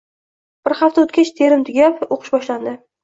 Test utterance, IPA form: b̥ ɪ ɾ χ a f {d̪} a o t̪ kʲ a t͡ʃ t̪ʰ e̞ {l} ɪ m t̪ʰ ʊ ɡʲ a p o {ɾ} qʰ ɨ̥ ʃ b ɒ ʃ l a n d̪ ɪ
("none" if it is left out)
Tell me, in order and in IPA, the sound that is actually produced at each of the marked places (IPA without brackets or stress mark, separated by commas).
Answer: t̪, ɾ, none